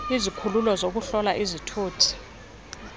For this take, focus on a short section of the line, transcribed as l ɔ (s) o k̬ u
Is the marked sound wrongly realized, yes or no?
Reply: yes